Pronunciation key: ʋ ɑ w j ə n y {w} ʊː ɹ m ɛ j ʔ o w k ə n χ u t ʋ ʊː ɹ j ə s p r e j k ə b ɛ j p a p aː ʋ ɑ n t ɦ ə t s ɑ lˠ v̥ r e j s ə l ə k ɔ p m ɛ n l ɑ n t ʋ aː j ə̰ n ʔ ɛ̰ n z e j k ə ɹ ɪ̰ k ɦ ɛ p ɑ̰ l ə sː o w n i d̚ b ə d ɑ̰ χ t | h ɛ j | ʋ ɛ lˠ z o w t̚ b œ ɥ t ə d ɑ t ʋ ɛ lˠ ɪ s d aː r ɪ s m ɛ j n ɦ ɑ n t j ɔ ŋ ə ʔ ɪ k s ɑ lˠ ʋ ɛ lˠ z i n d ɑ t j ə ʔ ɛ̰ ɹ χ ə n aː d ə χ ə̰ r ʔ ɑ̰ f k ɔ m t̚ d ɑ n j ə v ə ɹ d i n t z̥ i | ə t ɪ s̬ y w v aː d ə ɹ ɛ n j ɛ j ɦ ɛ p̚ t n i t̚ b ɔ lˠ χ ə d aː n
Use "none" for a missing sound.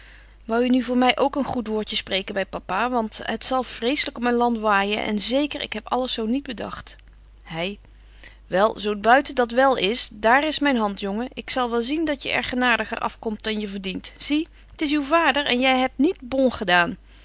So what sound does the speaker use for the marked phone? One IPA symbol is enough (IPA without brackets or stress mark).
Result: v